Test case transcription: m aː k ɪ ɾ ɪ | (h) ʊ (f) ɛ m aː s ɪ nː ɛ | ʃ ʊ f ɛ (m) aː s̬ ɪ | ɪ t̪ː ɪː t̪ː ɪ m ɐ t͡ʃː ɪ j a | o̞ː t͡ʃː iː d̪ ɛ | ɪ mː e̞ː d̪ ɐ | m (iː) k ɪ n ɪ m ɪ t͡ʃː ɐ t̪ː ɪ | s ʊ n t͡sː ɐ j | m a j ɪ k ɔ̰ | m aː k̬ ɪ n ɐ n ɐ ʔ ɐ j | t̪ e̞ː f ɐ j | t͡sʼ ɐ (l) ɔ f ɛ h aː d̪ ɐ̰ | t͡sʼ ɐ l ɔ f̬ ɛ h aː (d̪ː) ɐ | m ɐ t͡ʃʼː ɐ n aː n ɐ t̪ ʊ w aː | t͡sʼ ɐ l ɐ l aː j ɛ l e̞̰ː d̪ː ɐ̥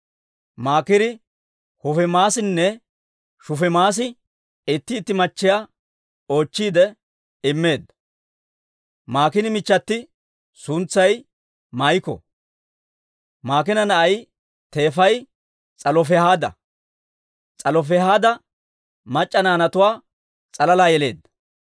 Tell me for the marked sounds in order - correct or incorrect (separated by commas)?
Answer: correct, correct, correct, incorrect, correct, incorrect